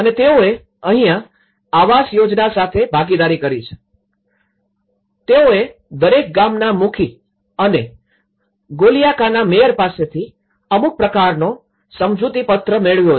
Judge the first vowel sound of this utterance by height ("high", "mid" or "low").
mid